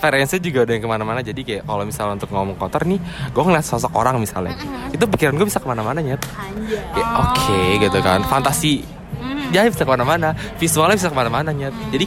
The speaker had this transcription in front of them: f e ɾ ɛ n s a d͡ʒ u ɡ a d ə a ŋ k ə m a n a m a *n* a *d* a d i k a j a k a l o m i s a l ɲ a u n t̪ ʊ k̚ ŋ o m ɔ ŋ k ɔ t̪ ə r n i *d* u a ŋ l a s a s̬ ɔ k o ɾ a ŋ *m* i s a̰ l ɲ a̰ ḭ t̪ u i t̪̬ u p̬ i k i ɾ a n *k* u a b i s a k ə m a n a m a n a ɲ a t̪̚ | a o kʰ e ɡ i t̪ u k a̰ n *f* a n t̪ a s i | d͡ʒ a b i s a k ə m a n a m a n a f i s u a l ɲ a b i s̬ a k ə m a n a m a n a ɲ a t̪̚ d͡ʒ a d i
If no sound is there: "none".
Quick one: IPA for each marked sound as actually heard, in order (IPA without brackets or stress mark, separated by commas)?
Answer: n, d͡ʒ, ɡ, m, ɡ, f